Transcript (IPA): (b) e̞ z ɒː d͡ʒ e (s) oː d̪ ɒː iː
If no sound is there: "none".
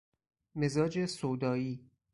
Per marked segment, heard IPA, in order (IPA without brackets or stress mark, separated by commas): m, s